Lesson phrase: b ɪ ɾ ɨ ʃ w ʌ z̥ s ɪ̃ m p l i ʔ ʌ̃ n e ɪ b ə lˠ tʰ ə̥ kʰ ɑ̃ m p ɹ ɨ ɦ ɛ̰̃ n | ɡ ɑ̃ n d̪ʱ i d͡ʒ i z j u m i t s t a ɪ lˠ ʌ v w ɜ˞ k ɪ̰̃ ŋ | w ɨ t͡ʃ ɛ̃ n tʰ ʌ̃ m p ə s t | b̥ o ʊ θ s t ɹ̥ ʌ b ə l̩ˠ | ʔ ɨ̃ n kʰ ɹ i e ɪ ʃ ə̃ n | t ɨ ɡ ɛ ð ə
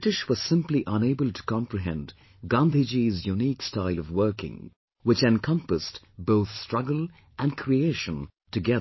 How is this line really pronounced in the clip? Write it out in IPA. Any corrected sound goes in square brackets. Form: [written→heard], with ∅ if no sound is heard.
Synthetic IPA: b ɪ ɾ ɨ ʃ w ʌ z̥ s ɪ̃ m p l i ʔ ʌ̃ n e ɪ b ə lˠ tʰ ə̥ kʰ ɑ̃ m p ɹ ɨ ɦ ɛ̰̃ n | ɡ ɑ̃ n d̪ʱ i d͡ʒ i z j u [m→n] i [t→k] s t a ɪ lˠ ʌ v w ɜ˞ k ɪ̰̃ ŋ | w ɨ t͡ʃ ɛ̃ n [tʰ→kʰ] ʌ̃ m p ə s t | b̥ o ʊ θ s t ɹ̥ ʌ [b→ɡ] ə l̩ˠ | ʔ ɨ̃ n kʰ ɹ i e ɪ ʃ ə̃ n | t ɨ ɡ ɛ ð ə